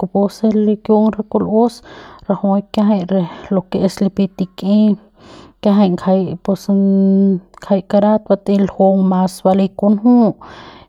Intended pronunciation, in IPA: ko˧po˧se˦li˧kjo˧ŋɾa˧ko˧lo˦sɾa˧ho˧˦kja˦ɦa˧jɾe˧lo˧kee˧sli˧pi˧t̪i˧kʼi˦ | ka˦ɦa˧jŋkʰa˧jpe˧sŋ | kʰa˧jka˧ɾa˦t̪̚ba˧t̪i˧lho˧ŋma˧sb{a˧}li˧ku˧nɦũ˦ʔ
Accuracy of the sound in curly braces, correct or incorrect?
correct